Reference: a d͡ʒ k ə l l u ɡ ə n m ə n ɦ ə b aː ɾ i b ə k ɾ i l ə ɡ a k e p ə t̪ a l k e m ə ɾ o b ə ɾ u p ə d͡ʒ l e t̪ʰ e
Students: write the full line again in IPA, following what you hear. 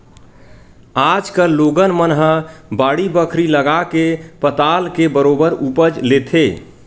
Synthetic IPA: a d͡ʒ k ə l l o ɡ ə n m ə n ɦ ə b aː ɽ i b ə kʰ ɾ i l ə ɡ a k e p ə t̪ a l k e b ə ɾ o b ə ɾ u p ə d͡ʒ l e t̪ʰ e